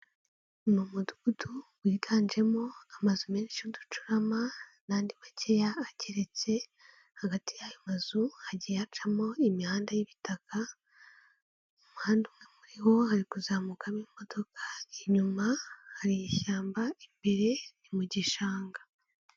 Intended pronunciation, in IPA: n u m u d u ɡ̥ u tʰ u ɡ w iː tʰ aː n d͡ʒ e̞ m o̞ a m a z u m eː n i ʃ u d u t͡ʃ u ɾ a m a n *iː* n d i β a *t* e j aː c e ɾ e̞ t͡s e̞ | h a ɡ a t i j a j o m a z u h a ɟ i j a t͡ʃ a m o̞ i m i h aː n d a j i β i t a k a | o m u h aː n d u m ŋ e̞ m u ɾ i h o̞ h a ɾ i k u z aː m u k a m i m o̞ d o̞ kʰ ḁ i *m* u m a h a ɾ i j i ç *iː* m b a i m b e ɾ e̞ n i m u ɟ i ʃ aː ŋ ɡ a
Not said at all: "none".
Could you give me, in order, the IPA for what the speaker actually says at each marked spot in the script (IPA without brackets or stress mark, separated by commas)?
aː, c, ɲ, aː